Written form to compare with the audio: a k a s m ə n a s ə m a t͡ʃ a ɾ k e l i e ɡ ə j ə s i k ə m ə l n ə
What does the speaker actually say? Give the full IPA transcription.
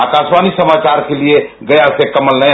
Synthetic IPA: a k a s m a n i s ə m a t͡ʃ a ɾ k e l i e ɡ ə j a s e k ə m ə l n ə